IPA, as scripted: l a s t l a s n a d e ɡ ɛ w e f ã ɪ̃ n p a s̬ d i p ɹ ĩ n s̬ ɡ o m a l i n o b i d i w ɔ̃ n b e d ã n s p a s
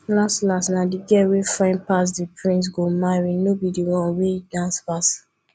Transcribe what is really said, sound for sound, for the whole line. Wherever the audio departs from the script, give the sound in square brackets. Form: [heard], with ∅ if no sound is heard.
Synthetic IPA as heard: l a s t l a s n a d [i] ɡ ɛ w e f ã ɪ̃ n p a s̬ d i p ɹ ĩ n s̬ ɡ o m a [ɹ] i n o b i d i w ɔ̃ n [w] e d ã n s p a s

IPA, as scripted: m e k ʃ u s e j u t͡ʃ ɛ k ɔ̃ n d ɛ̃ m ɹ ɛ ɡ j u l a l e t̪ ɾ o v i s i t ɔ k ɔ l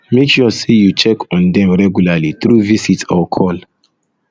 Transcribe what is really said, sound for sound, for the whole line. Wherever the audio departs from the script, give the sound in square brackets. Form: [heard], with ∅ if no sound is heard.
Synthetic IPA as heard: m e k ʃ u s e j u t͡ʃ ɛ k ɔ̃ n d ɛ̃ m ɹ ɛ ɡ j u l a l [i] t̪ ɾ [u] v i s i t ɔ [kʰ] ɔ l

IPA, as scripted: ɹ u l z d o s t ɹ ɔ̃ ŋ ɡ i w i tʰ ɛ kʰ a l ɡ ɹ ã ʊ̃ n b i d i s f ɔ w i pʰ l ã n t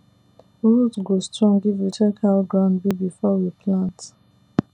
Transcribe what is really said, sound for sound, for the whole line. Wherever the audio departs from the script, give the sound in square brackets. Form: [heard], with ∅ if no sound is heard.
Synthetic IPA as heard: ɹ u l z [ɡ] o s t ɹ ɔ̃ ŋ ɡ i [v] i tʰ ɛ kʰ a l ɡ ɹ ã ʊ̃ n b i [b] i [∅] f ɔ w i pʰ l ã n t

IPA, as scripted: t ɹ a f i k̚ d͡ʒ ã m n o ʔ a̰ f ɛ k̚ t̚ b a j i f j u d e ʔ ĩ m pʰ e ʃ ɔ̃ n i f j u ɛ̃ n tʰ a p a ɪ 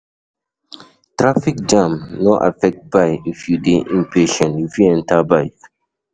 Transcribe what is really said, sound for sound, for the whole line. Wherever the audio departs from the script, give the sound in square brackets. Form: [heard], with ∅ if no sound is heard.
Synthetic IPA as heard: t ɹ a f i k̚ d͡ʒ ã m n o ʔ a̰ f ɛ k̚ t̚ b a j i f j u d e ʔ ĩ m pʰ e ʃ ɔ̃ n i f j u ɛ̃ n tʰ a [b] a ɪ

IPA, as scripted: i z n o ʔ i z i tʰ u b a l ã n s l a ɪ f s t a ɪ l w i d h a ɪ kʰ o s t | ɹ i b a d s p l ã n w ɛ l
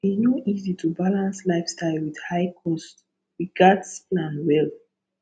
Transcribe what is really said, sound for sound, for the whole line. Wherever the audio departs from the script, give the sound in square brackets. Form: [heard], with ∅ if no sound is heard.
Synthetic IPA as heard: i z n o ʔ i z i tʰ u b a l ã n s l a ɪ f s t a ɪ l w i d h a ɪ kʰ [ɔ] s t | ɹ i [ɡ] a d s p l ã n w ɛ l

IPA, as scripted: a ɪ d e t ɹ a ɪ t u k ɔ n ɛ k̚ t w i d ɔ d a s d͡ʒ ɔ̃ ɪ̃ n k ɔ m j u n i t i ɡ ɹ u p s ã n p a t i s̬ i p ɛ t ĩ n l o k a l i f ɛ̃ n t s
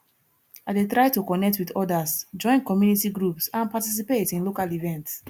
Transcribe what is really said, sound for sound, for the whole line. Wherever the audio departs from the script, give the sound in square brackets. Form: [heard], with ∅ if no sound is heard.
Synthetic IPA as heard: a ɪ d e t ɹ a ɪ t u k ɔ n ɛ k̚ t w i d ɔ d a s d͡ʒ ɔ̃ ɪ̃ n k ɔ m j u n i t i ɡ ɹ u p s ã n p a t i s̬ i p [e] t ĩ n l o k a l i [v] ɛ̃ n t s

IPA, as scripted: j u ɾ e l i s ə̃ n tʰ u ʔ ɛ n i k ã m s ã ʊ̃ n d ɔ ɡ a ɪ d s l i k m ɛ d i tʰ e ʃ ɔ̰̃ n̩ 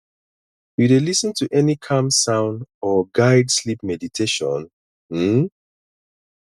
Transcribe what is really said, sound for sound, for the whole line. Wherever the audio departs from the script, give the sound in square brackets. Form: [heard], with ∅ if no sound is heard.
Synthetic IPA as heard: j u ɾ e l i s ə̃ n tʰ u ʔ ɛ n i [kʰ] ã m s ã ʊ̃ n d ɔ ɡ a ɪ d s l i [p] m ɛ d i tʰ e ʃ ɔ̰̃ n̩

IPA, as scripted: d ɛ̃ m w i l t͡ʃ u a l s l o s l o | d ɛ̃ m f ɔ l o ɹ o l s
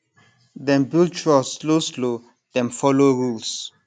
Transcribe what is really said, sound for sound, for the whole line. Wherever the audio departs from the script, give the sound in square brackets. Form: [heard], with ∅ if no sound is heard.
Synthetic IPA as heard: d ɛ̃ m [b] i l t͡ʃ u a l s l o s l o | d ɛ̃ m f ɔ l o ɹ [u] l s

